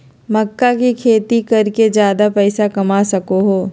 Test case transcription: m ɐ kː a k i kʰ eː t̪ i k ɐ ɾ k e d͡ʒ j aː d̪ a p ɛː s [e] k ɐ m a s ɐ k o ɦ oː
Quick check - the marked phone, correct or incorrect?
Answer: incorrect: a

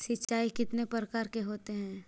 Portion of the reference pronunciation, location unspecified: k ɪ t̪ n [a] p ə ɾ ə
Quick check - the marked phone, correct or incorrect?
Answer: incorrect: e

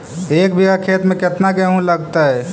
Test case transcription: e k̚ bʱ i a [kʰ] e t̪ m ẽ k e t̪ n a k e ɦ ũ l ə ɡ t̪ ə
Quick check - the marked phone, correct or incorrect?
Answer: correct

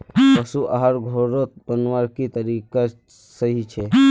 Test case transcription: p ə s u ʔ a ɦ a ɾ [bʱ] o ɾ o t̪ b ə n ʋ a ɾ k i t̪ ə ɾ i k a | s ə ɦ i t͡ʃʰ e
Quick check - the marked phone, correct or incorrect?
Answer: incorrect: ɡʱ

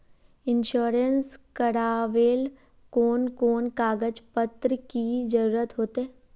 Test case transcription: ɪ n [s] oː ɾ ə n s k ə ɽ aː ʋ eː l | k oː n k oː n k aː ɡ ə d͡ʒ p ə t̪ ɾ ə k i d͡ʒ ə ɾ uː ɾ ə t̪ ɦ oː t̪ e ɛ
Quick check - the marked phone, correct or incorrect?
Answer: incorrect: ʃ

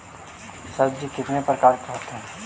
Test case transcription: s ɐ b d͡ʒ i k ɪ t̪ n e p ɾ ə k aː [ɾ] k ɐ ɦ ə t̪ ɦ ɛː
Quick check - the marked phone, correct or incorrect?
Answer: correct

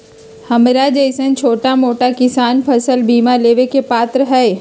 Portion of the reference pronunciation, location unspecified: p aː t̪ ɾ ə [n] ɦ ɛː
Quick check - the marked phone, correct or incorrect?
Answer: incorrect: none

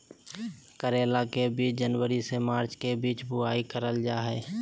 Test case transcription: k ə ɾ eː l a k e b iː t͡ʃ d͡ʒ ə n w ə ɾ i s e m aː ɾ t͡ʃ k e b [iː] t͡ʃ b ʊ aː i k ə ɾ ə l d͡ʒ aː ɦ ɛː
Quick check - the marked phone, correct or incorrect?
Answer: correct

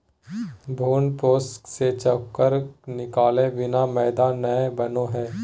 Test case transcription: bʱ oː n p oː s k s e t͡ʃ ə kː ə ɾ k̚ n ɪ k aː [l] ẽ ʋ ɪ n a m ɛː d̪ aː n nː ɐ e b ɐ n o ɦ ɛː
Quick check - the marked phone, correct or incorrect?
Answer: correct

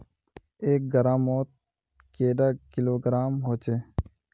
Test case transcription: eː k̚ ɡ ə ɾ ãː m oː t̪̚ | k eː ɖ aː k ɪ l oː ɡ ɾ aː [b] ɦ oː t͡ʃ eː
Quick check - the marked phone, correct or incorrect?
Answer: incorrect: m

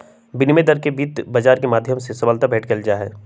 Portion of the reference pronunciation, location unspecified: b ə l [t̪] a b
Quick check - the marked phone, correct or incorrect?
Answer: correct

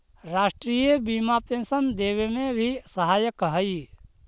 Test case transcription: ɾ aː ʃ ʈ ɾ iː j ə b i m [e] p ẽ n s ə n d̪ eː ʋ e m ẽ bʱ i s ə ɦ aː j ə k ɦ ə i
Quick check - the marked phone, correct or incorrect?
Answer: incorrect: a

